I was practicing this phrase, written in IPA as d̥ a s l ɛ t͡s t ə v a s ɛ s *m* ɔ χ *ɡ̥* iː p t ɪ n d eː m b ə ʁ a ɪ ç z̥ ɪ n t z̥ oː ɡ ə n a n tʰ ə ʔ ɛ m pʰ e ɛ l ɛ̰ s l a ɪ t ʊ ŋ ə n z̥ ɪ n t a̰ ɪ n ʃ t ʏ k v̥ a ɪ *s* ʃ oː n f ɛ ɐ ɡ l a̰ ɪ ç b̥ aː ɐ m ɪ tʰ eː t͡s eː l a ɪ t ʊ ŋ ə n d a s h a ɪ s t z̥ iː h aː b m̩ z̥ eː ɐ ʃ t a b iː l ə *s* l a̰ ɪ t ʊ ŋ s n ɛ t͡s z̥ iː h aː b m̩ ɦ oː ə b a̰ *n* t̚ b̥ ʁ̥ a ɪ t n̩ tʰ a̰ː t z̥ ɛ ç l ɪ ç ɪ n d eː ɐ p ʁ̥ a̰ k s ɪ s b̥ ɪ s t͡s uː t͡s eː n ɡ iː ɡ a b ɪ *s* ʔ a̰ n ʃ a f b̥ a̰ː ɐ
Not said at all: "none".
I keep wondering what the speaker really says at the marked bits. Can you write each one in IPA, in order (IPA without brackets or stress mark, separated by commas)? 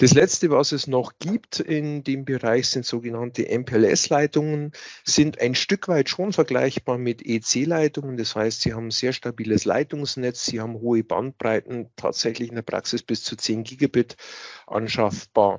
n, ɡ̥, t, s, n, t